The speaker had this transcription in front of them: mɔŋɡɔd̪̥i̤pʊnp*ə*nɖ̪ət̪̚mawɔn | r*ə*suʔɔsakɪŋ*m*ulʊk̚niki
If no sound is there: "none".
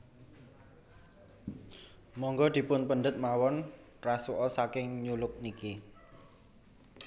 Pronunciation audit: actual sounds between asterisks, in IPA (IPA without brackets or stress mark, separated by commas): ə, a, ɲ